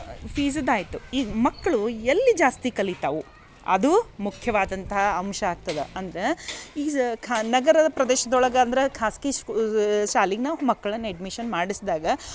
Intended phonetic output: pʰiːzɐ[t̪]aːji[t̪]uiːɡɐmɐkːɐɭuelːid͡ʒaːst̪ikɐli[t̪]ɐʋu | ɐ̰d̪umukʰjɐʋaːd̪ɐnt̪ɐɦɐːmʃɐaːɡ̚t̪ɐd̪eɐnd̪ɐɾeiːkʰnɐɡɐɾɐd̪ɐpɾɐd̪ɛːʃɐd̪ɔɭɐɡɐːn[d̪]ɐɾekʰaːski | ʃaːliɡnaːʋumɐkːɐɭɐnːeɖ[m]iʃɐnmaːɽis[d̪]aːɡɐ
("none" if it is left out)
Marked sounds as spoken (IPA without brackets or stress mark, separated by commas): d̪, t̪, t̪, d̪, m, d̪